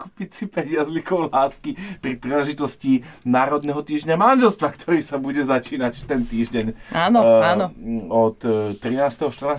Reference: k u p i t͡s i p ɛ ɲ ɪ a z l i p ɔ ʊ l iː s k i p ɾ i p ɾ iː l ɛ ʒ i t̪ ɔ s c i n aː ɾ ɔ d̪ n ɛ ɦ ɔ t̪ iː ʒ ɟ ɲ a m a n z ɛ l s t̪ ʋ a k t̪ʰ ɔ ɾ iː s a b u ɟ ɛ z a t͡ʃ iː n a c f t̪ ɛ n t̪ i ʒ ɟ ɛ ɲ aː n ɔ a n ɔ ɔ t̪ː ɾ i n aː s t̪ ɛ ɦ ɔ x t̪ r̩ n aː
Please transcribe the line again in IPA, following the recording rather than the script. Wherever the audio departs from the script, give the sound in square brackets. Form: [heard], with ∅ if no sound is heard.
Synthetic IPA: k u p i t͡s i p ɛ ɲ ɪ a z l i [k] ɔ ʊ l [aː] s k i p ɾ i p ɾ iː l ɛ ʒ i t̪ ɔ s c i n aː ɾ ɔ d̪ n ɛ ɦ ɔ t̪ iː ʒ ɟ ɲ a m a n [ʒ] ɛ l s t̪ ʋ a k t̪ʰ ɔ ɾ iː s a b u ɟ ɛ z a t͡ʃ iː n a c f t̪ ɛ n t̪ [iː] ʒ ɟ ɛ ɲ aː n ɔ a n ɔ ɔ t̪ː ɾ i n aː s t̪ ɛ ɦ ɔ [ʃ] t̪ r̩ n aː